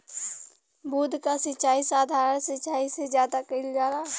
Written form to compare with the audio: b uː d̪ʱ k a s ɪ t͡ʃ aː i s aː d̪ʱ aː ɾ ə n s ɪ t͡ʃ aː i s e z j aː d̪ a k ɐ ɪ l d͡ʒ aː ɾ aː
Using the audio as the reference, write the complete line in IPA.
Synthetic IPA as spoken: b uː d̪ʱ k a s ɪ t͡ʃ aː i s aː d̪ʱ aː ɾ ə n s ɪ t͡ʃ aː i s e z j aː d̪ a k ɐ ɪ l d͡ʒ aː ɾ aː